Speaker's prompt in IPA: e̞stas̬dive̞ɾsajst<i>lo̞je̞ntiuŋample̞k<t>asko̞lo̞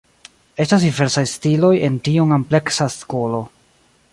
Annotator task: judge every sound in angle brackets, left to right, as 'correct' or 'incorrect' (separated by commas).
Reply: correct, incorrect